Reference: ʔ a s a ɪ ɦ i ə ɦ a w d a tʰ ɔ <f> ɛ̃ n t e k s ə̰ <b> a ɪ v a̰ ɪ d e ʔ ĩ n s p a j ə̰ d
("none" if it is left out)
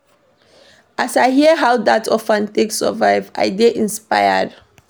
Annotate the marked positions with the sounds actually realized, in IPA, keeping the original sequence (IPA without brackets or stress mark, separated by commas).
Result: f, v